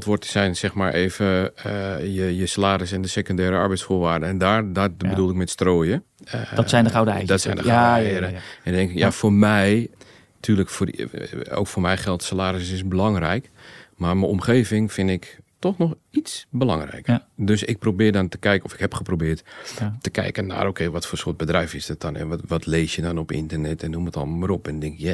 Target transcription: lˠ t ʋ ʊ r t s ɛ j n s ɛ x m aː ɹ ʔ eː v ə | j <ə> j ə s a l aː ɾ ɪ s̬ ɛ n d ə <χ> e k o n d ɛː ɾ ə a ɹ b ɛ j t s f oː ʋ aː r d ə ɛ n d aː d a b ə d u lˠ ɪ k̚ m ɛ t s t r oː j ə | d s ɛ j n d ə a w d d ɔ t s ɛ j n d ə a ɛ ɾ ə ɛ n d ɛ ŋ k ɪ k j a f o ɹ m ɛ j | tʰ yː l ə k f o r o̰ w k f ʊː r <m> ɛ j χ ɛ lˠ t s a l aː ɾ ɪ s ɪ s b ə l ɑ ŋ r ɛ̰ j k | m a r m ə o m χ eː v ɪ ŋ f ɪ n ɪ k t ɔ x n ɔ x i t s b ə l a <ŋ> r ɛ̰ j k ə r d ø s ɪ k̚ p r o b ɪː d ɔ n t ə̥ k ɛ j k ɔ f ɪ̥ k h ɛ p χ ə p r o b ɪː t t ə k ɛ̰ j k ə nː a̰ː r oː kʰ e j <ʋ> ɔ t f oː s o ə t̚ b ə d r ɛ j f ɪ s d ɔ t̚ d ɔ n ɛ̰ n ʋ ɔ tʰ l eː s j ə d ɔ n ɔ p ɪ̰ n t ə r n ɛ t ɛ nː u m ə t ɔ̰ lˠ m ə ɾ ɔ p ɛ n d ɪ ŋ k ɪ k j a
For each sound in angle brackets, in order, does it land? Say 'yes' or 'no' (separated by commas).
yes, no, yes, yes, yes